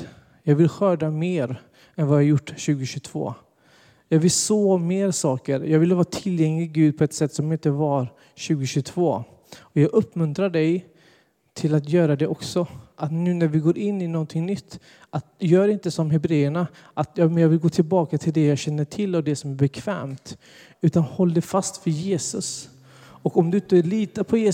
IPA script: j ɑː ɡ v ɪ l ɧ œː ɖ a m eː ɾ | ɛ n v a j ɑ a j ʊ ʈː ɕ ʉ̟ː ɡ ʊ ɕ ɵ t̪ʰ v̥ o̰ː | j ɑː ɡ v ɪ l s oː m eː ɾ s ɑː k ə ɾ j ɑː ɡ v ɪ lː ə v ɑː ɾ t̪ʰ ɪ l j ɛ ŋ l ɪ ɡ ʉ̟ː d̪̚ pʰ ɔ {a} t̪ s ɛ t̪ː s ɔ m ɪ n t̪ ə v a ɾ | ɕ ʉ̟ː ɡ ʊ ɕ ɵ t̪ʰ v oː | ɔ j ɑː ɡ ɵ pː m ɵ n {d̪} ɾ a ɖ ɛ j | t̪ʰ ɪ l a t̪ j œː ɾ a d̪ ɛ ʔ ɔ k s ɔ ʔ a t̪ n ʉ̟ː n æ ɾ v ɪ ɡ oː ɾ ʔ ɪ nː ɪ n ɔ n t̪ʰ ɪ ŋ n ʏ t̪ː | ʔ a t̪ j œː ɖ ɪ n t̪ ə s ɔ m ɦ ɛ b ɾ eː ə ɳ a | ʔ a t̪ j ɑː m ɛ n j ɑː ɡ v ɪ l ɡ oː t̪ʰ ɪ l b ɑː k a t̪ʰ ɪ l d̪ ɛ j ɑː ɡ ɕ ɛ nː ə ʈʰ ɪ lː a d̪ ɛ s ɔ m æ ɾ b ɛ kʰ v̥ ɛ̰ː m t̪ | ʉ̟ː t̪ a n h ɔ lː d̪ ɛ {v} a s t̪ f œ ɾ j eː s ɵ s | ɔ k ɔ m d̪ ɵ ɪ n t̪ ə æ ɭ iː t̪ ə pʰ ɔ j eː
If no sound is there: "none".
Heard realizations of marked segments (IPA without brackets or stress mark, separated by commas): ɛ, t̪, f